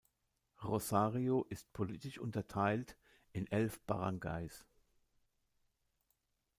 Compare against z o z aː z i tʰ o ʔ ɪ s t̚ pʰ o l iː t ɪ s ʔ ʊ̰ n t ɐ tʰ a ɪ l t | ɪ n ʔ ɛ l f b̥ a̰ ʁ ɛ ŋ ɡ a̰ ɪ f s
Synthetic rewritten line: ʁ o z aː ʁ i o ʔ ɪ s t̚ pʰ o l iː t ɪ ʃ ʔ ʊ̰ n t ɐ tʰ a ɪ l t | ɪ n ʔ ɛ l f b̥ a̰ ʁ a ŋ ɡ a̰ ɪ s